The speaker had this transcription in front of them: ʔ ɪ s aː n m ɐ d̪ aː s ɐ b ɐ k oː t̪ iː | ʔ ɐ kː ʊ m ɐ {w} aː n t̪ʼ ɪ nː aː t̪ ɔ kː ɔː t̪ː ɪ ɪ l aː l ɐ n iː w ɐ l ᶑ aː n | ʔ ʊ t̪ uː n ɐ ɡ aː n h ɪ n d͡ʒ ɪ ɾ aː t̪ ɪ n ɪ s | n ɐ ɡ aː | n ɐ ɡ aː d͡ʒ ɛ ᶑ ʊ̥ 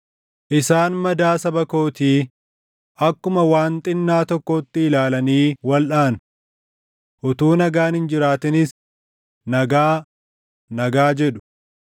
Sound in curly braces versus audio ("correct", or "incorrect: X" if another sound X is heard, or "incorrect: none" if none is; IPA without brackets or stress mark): correct